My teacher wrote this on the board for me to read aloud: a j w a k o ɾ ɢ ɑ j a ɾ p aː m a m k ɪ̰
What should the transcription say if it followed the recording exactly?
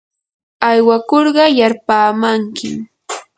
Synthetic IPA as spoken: a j w a k o ɾ ɢ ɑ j a ɾ p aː m a ŋ k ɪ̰